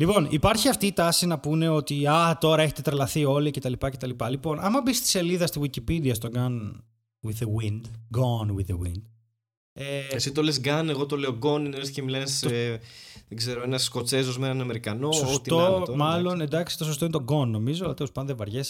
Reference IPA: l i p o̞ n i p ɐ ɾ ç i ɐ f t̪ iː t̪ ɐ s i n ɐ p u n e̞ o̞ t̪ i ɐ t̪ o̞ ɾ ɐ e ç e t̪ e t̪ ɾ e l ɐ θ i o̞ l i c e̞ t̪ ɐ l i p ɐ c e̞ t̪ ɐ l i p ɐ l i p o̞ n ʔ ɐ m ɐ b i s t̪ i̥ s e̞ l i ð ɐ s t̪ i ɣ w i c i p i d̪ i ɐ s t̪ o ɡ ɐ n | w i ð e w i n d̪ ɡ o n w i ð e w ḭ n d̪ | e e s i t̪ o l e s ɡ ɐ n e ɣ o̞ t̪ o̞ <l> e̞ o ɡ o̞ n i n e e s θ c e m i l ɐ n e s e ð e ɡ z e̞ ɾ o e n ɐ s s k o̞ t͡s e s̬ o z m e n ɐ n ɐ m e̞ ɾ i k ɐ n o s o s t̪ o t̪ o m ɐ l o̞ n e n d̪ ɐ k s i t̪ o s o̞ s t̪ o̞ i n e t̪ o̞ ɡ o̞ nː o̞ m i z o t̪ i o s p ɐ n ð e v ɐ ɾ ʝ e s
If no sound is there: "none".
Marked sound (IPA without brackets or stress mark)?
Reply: l